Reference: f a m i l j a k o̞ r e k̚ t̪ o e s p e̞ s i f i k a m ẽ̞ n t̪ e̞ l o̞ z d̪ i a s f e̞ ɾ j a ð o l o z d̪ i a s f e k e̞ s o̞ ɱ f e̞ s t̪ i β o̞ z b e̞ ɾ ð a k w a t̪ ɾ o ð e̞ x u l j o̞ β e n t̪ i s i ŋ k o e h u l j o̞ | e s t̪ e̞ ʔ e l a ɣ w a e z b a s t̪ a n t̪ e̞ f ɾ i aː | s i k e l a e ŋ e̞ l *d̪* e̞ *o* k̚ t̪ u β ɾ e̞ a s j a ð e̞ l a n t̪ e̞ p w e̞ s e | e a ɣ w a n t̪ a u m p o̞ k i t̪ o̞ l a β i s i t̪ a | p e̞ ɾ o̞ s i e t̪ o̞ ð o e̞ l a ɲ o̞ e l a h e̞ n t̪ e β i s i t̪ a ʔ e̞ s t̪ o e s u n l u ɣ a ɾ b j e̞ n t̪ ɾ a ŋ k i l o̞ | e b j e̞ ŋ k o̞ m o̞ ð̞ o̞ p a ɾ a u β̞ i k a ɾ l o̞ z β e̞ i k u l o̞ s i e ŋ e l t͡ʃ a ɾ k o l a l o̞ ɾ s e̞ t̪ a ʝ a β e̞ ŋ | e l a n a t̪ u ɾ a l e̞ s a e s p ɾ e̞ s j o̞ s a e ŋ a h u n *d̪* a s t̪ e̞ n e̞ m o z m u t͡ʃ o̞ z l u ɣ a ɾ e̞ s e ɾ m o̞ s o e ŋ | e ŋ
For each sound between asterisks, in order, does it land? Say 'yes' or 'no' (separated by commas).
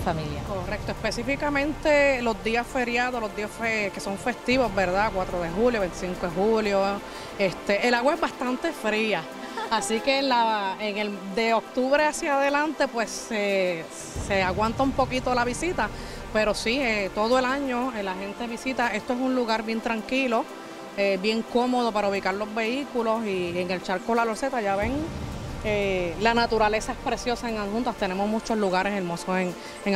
yes, yes, no